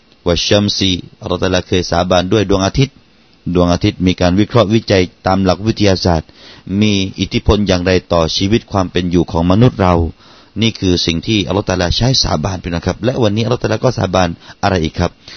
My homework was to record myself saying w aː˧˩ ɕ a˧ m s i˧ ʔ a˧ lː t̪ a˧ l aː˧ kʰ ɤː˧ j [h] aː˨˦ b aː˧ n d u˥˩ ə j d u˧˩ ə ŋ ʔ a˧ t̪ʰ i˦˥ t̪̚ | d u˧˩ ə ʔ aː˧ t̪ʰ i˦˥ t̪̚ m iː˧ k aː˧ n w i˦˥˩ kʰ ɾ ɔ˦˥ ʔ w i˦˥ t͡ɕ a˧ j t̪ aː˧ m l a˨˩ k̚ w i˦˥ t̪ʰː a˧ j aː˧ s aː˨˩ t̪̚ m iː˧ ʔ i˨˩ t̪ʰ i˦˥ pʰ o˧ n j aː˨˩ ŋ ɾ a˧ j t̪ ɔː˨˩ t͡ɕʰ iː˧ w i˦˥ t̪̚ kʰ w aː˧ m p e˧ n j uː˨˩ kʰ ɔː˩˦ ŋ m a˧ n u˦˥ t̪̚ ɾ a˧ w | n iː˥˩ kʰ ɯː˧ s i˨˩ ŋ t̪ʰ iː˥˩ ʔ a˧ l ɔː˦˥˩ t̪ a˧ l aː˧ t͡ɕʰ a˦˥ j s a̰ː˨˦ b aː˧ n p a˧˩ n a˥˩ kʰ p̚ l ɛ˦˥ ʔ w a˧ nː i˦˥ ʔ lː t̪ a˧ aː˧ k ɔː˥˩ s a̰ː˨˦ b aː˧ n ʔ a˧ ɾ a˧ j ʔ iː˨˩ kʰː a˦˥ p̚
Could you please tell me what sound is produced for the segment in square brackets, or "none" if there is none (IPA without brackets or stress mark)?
s